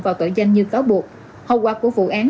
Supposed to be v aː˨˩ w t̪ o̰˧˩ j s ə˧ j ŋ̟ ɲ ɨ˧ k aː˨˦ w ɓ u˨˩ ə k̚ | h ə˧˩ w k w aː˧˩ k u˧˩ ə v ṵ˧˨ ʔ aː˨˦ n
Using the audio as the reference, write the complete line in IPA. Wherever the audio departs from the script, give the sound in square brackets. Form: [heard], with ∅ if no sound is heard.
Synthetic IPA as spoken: v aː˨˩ w t̪ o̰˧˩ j [z] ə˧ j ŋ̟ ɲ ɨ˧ k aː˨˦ w ɓ u˨˩ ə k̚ | h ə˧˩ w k w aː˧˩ k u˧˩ ə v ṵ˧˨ ʔ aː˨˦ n